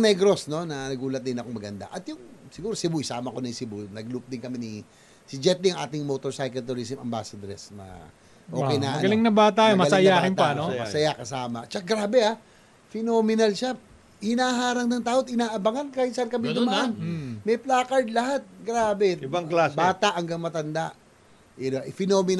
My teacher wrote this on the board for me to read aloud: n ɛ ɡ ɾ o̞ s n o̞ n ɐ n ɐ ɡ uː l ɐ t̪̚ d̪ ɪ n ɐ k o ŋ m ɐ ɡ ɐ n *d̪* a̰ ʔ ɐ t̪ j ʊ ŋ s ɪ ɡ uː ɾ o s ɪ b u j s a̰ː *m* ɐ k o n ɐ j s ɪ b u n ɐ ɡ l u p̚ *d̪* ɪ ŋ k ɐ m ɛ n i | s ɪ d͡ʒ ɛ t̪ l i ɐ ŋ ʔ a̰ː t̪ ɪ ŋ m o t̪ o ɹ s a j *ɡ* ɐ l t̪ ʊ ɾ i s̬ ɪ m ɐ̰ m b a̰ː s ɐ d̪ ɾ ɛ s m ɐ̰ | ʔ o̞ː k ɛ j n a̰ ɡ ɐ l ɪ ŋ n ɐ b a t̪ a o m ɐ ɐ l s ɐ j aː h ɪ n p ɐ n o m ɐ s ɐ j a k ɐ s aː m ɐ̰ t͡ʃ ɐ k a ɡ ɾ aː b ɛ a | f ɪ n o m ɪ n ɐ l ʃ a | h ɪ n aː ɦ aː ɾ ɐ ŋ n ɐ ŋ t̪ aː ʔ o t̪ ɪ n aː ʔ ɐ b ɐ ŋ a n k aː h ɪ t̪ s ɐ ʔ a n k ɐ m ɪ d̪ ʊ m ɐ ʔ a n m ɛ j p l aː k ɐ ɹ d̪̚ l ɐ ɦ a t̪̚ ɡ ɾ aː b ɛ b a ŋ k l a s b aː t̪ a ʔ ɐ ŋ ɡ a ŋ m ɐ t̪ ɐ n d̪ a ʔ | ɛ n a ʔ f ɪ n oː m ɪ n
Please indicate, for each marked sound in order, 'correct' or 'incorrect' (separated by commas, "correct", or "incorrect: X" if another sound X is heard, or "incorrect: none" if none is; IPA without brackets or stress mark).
correct, correct, correct, incorrect: k